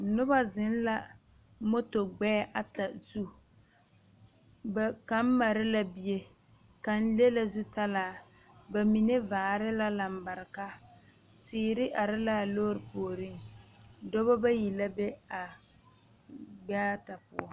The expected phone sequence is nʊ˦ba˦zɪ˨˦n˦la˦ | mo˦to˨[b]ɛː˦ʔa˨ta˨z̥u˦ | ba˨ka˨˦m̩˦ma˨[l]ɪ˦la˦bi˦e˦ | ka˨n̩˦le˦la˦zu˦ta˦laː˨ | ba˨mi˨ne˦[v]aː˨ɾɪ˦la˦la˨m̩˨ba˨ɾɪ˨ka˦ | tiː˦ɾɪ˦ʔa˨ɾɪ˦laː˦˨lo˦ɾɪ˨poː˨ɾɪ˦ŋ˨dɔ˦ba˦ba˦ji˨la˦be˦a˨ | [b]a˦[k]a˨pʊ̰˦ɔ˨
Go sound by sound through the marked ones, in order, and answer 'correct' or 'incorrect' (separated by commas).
incorrect, incorrect, correct, incorrect, incorrect